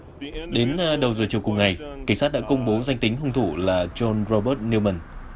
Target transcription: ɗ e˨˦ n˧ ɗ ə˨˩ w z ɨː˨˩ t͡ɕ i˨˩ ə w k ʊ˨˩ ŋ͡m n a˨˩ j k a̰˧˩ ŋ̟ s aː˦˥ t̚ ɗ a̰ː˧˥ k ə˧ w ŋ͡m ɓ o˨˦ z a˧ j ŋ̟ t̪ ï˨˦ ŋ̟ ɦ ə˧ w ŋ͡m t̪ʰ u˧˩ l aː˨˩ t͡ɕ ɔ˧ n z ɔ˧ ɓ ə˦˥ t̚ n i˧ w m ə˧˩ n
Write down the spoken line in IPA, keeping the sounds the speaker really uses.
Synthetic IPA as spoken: ɗ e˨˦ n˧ ɗ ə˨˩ w z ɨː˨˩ t͡ɕ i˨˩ ə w k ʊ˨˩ ŋ͡m ŋ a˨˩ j k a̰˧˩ ŋ̟ s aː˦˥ t̚ ɗ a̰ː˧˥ k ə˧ w ŋ͡m ɓ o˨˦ z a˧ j ŋ̟ t̪ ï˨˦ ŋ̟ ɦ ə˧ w ŋ͡m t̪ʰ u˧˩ l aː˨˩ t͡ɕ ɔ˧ n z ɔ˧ ɓ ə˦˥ t̚ n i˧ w m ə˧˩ n